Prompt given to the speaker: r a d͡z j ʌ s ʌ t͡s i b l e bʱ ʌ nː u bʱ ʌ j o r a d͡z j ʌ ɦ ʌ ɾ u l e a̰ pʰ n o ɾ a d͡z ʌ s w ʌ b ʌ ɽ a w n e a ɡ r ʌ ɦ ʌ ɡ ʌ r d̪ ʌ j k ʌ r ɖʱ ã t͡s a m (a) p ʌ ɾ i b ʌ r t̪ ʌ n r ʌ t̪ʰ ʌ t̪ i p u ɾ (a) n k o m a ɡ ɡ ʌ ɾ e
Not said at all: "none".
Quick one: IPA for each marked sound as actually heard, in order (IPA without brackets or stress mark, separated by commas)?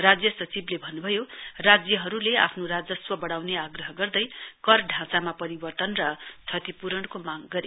a, ʌ